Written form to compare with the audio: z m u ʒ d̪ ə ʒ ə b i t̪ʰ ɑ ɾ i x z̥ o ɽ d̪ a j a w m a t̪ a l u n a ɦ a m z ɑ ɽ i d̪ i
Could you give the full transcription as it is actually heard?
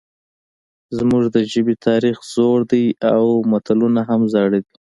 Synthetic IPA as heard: z m u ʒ d̪ ə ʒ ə b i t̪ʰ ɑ ɾ i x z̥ o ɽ d̪ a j a w m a t̪ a l u n a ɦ a m z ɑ ɽ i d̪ i

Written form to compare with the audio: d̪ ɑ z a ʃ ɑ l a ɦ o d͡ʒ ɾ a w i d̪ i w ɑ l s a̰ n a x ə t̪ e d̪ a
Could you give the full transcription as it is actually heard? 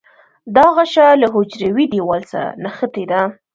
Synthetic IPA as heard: d̪ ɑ ɣ a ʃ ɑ l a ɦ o d͡ʒ ɾ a w i d̪ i w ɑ l s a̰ n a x ə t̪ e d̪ a

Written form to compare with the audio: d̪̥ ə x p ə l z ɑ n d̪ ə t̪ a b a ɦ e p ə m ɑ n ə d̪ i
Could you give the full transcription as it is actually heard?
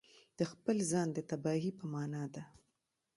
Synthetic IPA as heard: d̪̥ ə x p ə l z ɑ n d̪ ə t̪ a b ɑ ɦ i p ə m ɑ n ɑ d̪ a

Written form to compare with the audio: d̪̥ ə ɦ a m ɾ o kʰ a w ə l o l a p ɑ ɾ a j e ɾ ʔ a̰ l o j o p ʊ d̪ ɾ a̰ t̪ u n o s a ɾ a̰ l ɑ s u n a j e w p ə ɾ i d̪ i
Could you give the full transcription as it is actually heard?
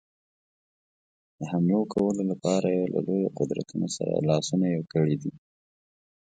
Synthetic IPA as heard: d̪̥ ə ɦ a m l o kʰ a w ə l o l a p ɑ ɾ a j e l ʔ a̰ l o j o q ʊ d̪ ɾ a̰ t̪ u n o s a ɾ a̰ l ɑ s u n a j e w k ə ɽ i d̪ i

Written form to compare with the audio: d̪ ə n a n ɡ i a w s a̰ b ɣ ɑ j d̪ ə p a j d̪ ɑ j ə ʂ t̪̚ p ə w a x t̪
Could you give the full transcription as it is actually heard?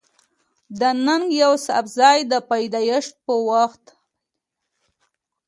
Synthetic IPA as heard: d̪ ə n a ŋ ɡ j a w s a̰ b z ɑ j d̪ ə p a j d̪ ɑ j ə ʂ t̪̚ p ə w a x t̪

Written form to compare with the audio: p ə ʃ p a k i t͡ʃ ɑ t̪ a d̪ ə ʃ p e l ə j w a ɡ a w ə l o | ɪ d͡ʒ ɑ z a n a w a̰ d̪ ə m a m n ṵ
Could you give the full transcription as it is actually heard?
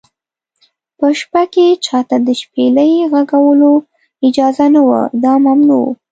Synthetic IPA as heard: p ə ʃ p a k e t͡ʃ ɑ t̪ a d̪ ə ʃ p e l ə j ɣ a ɡ a w ə l o | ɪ d͡ʒ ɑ z a n a w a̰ d̪ ɑ m a m n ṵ

